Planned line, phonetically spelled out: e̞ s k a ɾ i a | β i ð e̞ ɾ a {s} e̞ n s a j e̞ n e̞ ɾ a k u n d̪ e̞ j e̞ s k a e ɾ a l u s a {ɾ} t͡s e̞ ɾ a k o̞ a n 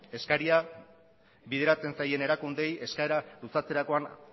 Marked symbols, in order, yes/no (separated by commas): no, no